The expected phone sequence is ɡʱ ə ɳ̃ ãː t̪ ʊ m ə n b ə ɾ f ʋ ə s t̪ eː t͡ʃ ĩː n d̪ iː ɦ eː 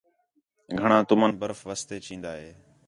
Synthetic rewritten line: ɡʱ ə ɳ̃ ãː t̪ ʊ m ə n b ə ɾ f ʋ ə s t̪ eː t͡ʃ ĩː n d̪ aː ɦ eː